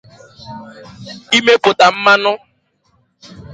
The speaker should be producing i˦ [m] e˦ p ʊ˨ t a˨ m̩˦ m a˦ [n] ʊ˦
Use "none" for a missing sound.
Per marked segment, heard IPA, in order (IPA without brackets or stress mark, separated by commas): m, n